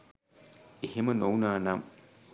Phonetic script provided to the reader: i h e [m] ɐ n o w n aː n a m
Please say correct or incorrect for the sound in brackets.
correct